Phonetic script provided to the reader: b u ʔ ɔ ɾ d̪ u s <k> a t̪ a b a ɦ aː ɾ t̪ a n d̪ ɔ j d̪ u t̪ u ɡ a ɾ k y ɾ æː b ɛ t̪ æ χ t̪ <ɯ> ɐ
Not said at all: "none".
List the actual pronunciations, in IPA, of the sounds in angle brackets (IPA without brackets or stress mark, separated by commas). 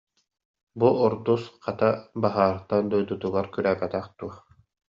q, u